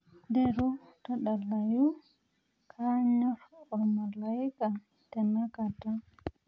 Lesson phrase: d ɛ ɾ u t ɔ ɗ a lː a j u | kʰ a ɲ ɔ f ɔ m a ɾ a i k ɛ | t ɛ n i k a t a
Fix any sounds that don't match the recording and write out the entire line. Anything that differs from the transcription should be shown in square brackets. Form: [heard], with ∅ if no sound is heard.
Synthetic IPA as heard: d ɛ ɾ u t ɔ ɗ a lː a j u | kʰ a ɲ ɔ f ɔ m a [l] a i k [a] | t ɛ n [a] k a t a